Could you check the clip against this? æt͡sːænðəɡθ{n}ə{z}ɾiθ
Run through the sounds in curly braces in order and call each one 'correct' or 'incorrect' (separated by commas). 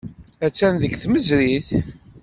incorrect, correct